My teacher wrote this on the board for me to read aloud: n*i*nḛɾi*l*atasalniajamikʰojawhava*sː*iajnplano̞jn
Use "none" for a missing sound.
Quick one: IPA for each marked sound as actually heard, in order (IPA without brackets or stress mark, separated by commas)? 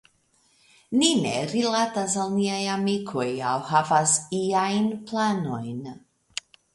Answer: i, l, s